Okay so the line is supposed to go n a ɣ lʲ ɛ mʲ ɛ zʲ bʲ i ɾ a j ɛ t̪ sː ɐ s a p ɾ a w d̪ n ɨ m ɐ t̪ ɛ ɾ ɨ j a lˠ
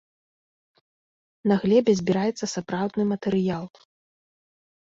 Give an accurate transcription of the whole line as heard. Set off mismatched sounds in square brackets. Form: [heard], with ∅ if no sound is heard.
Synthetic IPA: n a ɣ lʲ ɛ [bʲ] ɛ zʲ bʲ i ɾ a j ɛ t̪ sː ɐ s a p ɾ a w d̪ n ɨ m ɐ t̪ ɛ ɾ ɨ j a lˠ